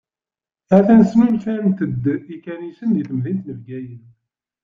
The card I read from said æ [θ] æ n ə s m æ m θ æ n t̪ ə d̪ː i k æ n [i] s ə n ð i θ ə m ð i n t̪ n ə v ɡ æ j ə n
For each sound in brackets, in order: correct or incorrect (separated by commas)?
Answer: correct, correct